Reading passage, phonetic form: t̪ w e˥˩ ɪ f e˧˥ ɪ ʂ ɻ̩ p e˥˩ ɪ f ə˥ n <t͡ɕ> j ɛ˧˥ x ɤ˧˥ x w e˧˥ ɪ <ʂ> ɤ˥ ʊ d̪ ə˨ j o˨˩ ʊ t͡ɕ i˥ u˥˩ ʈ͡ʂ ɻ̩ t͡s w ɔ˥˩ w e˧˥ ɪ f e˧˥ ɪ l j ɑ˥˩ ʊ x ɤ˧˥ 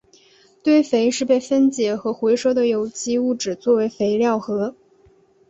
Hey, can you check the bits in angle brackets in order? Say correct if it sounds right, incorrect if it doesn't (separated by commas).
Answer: correct, correct